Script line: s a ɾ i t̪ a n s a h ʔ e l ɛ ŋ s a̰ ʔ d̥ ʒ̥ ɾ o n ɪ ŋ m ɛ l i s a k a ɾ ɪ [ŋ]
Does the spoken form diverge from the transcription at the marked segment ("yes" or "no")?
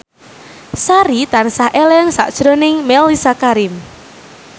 yes